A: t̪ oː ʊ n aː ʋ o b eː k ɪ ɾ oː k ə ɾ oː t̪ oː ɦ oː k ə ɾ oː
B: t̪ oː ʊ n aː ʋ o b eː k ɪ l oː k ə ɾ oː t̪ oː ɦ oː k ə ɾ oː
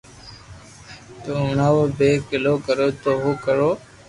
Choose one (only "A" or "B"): B